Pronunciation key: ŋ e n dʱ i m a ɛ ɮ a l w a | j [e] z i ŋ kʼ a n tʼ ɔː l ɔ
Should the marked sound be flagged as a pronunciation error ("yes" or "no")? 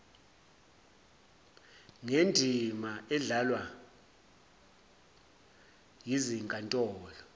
yes